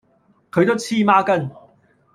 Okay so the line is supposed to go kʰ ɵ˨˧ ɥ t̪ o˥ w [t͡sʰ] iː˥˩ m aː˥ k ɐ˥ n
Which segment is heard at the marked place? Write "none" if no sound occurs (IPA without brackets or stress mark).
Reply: t͡sʰ